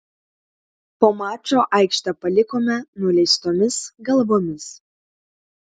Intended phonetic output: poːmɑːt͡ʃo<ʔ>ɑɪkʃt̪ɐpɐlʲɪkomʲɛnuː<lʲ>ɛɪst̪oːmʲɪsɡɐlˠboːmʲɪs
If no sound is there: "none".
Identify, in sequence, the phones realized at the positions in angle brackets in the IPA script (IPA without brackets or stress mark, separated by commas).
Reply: ʔ, lʲ